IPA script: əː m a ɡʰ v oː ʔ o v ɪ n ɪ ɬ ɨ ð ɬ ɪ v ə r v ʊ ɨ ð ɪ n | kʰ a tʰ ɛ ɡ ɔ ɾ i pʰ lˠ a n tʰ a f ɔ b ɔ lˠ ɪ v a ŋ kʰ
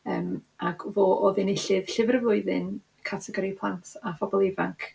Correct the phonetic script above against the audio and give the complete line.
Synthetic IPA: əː m a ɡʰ v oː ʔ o ð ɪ n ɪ ɬ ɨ ð ɬ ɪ v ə r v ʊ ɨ ð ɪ n | kʰ a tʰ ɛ ɡ ɔ ɾ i pʰ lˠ a n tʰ a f ɔ b ɔ lˠ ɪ v a ŋ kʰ